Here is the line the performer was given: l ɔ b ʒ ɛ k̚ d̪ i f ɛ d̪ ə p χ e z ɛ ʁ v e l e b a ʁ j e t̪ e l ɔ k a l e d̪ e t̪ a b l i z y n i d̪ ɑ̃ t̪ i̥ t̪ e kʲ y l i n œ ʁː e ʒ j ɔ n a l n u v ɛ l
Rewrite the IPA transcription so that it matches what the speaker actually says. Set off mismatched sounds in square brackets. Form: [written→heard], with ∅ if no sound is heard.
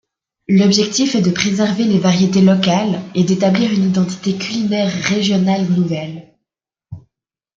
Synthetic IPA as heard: l ɔ b ʒ ɛ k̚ [d̪→t̪] i f ɛ d̪ ə p χ e z ɛ ʁ v e l e [b→v] a ʁ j e t̪ e l ɔ k a l e d̪ e t̪ a b l i [z→ʁ] y n i d̪ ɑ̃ t̪ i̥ t̪ e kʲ y l i n [œ→ɛ] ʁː e ʒ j ɔ n a l n u v ɛ l

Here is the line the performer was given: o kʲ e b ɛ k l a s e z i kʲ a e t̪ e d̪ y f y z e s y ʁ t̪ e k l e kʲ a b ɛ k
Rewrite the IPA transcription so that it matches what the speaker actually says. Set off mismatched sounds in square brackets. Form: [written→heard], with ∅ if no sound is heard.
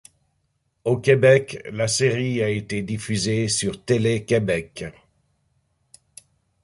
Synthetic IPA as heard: o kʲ e b ɛ k l a s e [z→ʁ] i [kʲ→∅] a e t̪ e d̪ [y→i] f y z e s y ʁ t̪ e [k→∅] l e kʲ [a→e] b ɛ k

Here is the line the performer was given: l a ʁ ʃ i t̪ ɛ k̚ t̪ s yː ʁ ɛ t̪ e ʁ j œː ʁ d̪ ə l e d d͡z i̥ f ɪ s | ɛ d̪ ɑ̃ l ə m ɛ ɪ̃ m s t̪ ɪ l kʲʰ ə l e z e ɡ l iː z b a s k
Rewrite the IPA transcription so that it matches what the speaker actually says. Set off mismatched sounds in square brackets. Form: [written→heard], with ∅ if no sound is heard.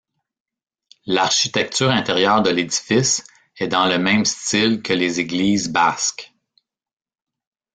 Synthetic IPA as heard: l a ʁ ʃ i t̪ ɛ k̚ t̪ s yː ʁ [ɛ→ɛ̃] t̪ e ʁ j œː ʁ d̪ ə l e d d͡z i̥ f ɪ s | ɛ d̪ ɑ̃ l ə m [ɛ→ɛ̃] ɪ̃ m s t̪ ɪ l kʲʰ ə l e z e ɡ l iː z b a s k

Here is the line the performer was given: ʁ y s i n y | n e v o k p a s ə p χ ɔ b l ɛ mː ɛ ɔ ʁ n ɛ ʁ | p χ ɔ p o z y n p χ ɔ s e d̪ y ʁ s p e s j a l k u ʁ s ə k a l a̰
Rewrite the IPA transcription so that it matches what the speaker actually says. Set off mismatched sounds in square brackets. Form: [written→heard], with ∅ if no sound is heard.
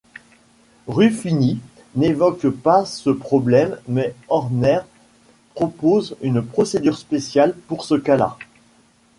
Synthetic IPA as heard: ʁ y [s→f] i n [y→i] | n e v [o→ɔ] k p a s ə p χ ɔ b l ɛ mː ɛ ɔ ʁ n ɛ ʁ | p χ ɔ p o z y n p χ ɔ s e d̪ y ʁ s p e s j a l [k→p] u ʁ s ə k a l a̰

